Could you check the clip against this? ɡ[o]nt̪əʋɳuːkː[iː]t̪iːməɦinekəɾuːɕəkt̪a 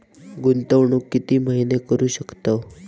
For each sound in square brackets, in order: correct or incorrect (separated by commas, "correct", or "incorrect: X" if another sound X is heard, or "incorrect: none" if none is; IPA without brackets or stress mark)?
incorrect: u, incorrect: i